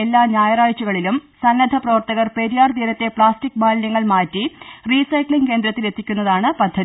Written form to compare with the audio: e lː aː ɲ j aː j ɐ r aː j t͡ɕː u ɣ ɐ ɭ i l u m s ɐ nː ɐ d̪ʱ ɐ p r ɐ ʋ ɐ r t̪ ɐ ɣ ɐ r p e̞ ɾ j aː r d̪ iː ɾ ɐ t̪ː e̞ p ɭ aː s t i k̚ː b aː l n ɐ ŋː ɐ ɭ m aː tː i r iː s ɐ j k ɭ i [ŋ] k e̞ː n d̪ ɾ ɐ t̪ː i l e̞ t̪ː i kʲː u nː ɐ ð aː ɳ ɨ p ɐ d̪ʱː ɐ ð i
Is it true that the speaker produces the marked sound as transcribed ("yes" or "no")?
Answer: yes